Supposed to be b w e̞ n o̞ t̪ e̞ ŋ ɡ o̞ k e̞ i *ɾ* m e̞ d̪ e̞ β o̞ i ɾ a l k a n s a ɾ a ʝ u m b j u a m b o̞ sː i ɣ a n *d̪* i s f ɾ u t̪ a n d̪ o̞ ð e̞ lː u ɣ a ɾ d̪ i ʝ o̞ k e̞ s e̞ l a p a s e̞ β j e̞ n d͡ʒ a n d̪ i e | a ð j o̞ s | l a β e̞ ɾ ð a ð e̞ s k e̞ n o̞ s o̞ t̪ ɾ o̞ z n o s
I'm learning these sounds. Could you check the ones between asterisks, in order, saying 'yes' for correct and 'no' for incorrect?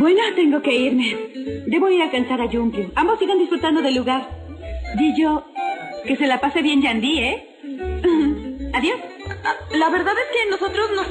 yes, yes

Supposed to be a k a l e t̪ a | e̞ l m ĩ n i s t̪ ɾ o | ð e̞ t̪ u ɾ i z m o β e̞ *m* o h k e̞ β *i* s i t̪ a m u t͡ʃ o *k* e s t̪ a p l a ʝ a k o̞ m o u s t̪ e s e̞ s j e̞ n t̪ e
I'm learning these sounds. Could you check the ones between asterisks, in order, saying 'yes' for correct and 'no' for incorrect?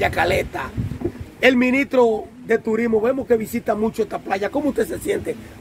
yes, yes, no

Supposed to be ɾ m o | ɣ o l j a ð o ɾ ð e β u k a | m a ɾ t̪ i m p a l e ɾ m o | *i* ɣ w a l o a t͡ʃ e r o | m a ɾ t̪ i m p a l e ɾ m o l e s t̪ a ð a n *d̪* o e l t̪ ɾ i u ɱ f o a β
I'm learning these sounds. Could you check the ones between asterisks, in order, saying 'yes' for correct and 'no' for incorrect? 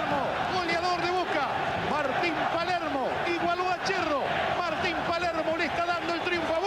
yes, yes

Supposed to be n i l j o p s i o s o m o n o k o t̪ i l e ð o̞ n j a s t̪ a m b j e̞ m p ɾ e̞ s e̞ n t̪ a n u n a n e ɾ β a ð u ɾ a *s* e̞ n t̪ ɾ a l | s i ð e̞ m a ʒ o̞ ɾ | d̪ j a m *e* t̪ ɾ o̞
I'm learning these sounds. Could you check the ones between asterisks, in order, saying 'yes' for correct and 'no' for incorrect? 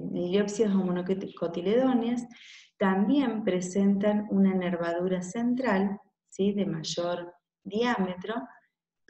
yes, yes

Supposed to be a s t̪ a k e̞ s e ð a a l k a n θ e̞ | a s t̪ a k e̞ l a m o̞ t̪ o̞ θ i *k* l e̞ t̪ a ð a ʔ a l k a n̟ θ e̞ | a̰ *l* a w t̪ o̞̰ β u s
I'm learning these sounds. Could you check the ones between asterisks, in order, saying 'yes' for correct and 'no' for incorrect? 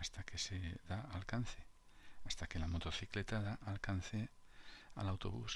yes, yes

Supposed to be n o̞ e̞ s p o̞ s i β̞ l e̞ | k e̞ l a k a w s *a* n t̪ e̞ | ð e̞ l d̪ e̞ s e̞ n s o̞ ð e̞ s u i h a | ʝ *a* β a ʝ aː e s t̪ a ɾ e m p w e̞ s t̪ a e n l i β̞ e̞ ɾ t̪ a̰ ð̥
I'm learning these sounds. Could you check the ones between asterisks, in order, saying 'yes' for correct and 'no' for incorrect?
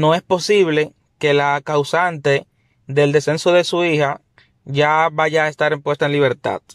yes, yes

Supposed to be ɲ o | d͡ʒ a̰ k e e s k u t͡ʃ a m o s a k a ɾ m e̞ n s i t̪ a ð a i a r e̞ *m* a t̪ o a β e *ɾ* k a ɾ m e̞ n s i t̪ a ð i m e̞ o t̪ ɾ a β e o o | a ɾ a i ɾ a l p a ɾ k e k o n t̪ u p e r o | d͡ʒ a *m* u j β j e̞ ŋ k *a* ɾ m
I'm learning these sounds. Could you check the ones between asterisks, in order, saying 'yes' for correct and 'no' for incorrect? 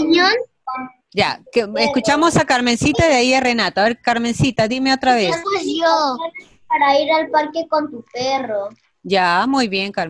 no, yes, yes, yes

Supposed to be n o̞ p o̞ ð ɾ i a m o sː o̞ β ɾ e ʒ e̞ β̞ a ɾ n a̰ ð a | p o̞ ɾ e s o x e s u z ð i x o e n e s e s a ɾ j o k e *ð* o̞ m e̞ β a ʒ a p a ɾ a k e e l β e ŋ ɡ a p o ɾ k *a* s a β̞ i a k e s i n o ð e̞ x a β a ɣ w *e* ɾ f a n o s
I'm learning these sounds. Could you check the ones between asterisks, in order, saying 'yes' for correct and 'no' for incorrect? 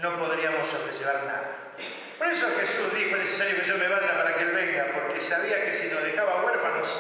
no, no, yes

